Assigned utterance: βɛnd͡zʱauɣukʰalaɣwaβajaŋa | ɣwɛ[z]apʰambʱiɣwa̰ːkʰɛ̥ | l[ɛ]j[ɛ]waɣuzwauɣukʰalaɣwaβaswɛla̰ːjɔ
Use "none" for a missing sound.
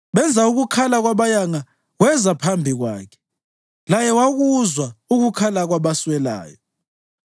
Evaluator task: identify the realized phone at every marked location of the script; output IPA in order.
z, a, ɛ

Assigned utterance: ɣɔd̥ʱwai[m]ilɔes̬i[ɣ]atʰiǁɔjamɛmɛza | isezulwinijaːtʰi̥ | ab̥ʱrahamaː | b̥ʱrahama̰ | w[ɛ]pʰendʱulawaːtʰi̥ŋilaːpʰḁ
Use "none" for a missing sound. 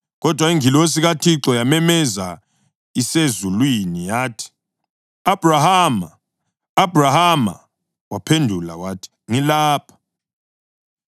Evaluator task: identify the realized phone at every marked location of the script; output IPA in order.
ŋ, ɣ, a

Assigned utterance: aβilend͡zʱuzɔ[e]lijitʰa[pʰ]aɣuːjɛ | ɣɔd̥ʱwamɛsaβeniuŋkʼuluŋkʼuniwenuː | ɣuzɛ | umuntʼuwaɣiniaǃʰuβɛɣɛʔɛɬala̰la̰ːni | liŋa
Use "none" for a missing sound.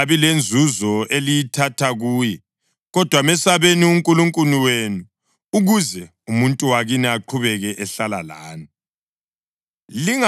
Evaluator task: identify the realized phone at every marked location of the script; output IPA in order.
e, tʰ

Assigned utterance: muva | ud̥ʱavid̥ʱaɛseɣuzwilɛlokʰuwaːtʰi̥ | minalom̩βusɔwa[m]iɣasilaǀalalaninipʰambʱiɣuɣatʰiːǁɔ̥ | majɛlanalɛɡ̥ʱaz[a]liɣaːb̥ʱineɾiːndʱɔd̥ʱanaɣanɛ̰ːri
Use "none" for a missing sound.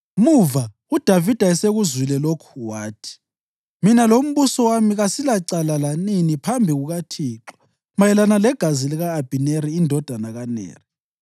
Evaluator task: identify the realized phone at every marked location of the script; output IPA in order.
m, i

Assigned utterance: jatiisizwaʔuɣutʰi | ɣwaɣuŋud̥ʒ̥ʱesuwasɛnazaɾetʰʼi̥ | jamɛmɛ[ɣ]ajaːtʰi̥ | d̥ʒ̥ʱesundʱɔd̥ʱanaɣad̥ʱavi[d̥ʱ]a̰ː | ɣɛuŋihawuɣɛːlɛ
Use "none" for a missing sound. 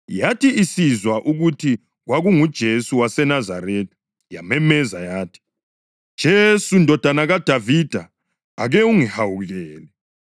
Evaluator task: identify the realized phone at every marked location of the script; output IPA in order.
z, d̥ʱ

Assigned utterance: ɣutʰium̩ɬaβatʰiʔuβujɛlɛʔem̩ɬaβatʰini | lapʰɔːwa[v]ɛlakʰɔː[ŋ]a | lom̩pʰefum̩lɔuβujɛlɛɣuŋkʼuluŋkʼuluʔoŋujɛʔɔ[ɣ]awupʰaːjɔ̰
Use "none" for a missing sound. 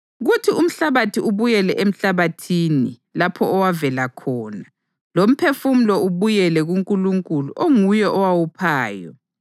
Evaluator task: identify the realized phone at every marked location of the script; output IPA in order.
v, n, w

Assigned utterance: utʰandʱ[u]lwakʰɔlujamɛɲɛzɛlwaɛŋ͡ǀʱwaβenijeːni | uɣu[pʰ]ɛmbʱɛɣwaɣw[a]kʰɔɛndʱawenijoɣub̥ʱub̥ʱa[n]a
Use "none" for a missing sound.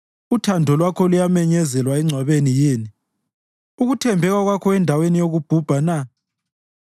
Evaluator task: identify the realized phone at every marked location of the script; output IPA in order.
ɔ, tʰ, a, n

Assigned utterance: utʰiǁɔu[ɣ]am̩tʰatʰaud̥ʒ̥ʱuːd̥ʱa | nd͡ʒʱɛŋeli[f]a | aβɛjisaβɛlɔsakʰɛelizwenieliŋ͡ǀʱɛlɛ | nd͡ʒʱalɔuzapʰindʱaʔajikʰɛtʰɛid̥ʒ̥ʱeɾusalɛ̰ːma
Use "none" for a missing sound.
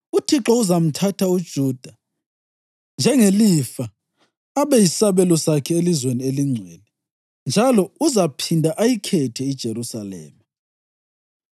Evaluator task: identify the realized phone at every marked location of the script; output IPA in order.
z, f

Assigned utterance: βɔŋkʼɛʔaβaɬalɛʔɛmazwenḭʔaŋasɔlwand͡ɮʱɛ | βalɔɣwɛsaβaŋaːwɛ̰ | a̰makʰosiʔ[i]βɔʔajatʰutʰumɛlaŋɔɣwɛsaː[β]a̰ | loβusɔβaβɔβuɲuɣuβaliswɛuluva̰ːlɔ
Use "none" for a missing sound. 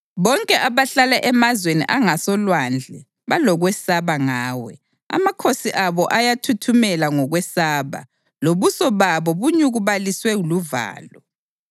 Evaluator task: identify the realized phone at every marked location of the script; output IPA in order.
a, β

